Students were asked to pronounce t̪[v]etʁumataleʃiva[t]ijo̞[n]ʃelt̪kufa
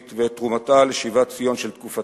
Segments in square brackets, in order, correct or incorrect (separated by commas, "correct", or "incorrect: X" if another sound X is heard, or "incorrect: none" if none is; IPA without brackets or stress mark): correct, incorrect: t͡s, correct